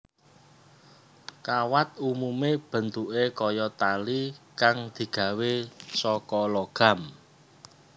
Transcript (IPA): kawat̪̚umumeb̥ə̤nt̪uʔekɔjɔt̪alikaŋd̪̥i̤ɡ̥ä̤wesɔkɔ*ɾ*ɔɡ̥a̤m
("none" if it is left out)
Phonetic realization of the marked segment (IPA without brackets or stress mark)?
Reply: l